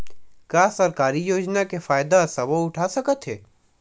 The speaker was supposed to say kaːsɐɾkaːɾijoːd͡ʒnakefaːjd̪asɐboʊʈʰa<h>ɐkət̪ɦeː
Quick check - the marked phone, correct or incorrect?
incorrect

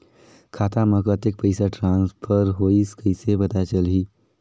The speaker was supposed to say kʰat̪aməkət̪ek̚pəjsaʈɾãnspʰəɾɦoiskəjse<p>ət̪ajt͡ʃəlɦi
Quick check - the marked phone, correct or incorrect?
incorrect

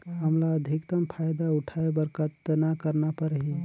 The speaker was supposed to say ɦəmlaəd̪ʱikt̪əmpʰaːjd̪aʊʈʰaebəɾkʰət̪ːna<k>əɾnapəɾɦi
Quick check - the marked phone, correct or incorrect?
correct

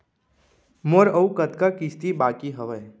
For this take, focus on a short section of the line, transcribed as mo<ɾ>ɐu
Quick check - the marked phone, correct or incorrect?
correct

